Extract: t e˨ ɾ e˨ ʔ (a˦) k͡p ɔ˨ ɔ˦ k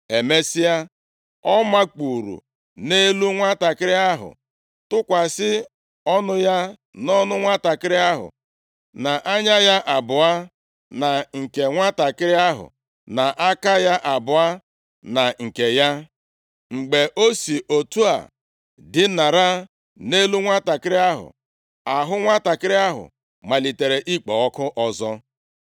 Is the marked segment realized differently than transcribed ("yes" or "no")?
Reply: yes